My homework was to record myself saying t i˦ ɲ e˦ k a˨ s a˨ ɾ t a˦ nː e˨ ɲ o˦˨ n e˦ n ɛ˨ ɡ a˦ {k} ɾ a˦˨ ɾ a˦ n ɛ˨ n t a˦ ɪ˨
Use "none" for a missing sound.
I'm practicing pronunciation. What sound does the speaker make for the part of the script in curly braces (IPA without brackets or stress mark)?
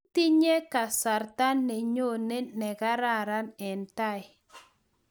none